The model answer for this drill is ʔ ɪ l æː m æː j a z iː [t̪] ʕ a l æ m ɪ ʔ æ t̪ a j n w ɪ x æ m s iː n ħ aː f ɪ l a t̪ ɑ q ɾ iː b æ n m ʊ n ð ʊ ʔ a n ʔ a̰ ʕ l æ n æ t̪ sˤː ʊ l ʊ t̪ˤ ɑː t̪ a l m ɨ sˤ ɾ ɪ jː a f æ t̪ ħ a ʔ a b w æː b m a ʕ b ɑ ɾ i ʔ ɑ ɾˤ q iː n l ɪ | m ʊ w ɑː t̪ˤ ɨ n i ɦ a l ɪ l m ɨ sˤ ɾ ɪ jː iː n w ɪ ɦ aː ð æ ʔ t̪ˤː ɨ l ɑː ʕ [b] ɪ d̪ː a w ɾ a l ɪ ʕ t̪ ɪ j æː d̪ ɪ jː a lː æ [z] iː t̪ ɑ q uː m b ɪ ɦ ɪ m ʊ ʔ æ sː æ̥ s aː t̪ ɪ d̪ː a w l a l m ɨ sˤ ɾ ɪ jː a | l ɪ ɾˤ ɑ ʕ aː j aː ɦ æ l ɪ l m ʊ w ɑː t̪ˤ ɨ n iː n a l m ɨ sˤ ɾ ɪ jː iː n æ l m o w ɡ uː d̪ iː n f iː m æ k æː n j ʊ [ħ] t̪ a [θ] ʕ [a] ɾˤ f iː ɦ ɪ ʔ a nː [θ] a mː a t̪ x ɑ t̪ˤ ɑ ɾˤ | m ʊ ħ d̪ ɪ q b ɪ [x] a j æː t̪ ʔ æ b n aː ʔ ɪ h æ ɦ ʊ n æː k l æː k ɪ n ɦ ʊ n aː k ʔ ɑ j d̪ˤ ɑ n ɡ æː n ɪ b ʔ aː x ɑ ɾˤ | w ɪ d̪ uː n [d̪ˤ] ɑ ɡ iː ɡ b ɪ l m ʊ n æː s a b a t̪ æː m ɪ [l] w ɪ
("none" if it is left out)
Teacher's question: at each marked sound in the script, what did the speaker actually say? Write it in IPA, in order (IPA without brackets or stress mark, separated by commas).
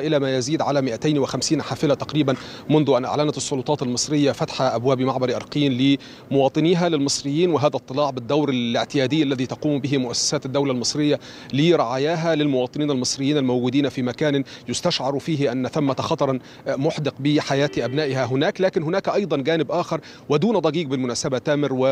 d̪, b, ð, s, ʃ, ɑ, θ, ħ, d̪ˤ, ɾ